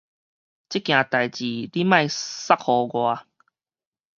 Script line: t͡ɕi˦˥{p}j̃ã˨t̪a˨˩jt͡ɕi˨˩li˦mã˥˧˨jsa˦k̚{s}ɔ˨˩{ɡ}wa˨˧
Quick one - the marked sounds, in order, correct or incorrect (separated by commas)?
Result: incorrect, incorrect, correct